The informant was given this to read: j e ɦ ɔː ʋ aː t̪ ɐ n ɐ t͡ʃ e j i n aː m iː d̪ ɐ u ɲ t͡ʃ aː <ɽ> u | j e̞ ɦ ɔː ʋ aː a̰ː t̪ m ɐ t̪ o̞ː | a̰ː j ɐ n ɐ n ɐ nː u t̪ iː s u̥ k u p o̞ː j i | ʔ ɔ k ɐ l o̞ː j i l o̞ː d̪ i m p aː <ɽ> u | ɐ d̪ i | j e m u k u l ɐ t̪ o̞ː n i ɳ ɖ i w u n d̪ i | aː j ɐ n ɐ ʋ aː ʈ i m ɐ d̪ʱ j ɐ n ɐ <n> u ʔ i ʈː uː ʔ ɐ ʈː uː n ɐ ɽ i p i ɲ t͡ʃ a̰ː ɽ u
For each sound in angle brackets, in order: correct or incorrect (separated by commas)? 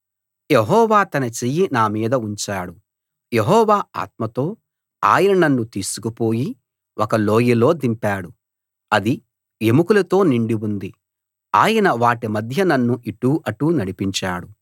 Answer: correct, correct, incorrect